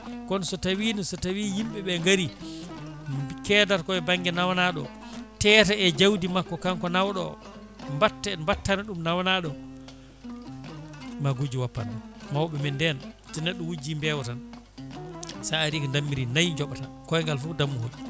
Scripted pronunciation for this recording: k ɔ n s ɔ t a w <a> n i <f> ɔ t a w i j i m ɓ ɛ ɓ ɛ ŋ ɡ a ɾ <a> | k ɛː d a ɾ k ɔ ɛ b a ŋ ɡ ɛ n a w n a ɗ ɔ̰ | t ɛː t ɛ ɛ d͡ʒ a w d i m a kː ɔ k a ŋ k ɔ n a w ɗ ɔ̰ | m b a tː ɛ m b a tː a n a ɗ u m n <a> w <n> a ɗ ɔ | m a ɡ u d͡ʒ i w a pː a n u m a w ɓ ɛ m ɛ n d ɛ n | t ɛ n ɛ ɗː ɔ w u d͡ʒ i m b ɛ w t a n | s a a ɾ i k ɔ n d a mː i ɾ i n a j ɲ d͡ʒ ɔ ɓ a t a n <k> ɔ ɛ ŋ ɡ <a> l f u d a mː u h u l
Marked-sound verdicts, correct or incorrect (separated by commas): incorrect, incorrect, incorrect, correct, correct, correct, correct